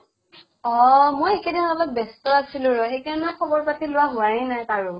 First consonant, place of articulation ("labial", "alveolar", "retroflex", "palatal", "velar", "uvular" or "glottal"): labial